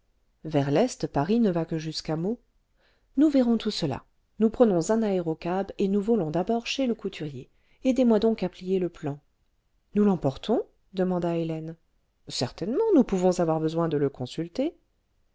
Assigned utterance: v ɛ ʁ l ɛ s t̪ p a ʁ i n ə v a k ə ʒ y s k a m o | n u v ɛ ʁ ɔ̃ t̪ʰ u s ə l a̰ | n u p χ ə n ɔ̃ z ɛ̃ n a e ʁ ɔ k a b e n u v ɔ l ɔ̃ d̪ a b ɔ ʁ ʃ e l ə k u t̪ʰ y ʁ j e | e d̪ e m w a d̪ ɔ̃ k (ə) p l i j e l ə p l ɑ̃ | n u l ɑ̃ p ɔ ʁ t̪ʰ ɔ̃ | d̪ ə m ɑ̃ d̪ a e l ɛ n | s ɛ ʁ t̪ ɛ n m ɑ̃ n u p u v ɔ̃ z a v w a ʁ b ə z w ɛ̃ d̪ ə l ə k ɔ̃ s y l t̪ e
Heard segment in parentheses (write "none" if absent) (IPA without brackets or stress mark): a